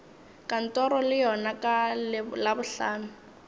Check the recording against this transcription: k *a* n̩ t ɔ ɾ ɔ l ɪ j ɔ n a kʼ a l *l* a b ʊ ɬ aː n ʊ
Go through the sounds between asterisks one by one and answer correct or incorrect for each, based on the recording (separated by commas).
correct, correct